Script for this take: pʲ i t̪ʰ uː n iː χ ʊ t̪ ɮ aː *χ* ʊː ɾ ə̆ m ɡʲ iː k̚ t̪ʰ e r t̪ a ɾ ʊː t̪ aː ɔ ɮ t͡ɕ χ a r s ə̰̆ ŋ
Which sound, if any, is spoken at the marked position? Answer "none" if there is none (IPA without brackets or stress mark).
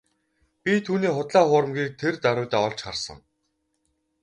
χ